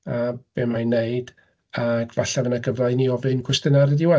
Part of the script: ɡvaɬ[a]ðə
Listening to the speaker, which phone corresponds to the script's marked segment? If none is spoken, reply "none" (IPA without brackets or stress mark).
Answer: a